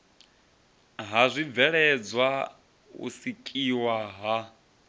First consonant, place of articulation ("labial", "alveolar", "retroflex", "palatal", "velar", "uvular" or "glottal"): glottal